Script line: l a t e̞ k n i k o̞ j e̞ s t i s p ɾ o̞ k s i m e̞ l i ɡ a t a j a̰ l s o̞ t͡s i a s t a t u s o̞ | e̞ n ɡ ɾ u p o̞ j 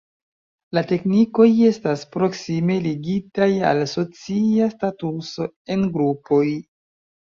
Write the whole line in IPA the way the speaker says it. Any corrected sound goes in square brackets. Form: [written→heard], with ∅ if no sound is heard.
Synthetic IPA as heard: l a t e̞ k n i k o̞ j e̞ s t [i→a] s p ɾ o̞ k s i m e̞ l i ɡ [a→i] t a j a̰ l s o̞ t͡s i a s t a t u s o̞ | e̞ n ɡ ɾ u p o̞ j